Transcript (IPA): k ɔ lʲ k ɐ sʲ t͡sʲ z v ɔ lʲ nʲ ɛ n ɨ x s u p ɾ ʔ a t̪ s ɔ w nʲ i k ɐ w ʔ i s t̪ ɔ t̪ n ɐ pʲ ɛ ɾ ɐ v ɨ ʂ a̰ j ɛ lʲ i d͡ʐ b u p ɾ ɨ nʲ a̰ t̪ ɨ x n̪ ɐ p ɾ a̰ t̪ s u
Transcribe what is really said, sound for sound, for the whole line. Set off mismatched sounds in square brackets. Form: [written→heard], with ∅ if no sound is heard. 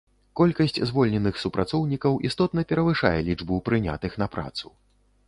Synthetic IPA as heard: k ɔ lʲ k ɐ sʲ t͡sʲ z v ɔ lʲ nʲ ɛ n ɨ x s u p ɾ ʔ a t̪ s ɔ w nʲ i k ɐ w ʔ i s t̪ ɔ t̪ n ɐ pʲ ɛ ɾ ɐ v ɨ ʂ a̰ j ɛ lʲ i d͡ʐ b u p ɾ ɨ nʲ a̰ t̪ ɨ x n̪ ɐ p ɾ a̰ t̪ s u